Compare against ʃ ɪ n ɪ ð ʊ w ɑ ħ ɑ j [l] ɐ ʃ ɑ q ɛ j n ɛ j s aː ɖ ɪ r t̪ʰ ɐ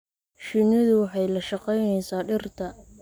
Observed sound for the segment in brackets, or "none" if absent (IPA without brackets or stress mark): l